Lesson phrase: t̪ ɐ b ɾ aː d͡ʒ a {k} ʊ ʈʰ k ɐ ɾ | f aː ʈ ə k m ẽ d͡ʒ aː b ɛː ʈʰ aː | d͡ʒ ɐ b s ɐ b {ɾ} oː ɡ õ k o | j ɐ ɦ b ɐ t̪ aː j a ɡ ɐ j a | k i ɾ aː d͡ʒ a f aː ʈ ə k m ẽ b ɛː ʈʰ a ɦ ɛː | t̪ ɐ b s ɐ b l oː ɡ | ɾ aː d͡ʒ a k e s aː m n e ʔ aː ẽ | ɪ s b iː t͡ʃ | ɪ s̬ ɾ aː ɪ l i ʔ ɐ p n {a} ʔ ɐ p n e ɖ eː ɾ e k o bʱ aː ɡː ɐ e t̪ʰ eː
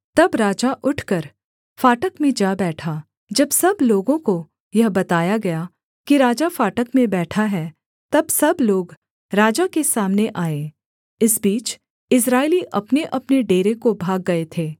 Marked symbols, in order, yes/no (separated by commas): no, no, no